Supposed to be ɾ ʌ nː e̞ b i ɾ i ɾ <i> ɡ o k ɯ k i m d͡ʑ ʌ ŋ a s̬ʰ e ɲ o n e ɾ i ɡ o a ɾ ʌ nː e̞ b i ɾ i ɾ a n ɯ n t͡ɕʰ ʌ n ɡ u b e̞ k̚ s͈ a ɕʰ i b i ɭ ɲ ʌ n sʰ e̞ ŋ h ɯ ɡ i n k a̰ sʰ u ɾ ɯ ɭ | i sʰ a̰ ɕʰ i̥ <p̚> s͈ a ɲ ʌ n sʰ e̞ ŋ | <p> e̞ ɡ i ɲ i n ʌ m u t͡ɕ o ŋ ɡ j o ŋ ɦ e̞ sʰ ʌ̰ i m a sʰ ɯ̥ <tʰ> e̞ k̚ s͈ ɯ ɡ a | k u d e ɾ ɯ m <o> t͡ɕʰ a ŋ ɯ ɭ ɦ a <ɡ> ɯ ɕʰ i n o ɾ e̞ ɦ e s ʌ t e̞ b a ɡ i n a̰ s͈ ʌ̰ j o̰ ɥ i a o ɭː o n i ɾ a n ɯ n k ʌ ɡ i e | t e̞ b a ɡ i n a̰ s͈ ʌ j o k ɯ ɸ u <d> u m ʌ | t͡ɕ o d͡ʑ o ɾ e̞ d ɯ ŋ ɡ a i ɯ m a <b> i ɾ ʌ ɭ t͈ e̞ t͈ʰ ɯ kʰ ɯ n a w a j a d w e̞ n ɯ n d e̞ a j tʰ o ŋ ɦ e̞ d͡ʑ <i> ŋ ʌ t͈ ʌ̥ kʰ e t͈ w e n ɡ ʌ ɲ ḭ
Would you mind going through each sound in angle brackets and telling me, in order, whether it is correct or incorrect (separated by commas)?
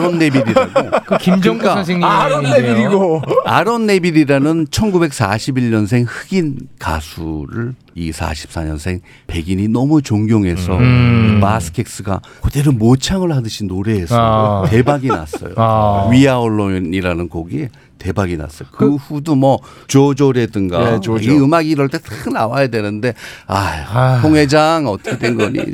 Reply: incorrect, correct, correct, incorrect, correct, incorrect, correct, incorrect, incorrect